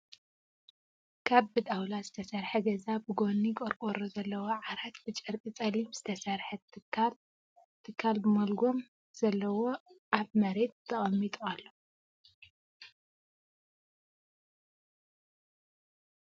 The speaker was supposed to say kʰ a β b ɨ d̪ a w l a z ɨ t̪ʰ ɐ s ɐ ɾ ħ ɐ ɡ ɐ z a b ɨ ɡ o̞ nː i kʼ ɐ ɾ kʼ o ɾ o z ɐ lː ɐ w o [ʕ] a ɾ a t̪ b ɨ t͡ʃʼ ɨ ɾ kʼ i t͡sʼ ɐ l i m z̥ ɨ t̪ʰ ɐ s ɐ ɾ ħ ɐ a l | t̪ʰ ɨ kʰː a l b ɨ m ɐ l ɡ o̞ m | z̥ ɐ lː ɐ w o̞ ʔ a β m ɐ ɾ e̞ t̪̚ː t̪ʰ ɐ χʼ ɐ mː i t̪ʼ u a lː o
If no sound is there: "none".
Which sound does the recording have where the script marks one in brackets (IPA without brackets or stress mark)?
ʕ